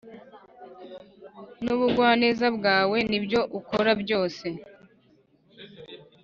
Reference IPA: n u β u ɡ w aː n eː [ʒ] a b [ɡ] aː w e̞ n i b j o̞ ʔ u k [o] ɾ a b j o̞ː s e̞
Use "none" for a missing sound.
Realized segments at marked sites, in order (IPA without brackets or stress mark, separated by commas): z, ɡ, o